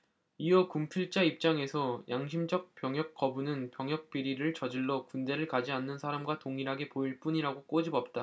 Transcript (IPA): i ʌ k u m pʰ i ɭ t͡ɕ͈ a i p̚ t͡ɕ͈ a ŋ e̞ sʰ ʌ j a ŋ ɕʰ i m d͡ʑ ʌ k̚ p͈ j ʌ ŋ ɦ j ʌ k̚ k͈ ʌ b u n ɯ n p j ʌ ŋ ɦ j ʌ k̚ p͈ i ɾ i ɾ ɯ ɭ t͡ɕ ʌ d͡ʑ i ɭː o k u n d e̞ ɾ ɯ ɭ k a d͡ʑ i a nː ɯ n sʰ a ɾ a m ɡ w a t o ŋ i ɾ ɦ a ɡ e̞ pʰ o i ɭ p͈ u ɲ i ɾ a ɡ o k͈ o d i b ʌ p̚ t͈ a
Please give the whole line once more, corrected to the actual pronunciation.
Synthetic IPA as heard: i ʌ k u m pʰ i ɭ t͡ɕ͈ a i p̚ t͡ɕ͈ a ŋ e̞ sʰ ʌ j a ŋ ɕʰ i m d͡ʑ ʌ k̚ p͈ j ʌ ŋ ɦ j ʌ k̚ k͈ ʌ b u n ɯ n p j ʌ ŋ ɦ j ʌ k̚ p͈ i ɾ i ɾ ɯ ɭ t͡ɕ ʌ d͡ʑ i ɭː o k u n d e̞ ɾ ɯ ɭ k a d͡ʑ i a nː ɯ n sʰ a ɾ a m ɡ w a t o ŋ i ɾ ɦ a ɡ e̞ p o i ɭ p͈ u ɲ i ɾ a ɡ o k͈ o d͡ʑ i b ʌ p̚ t͈ a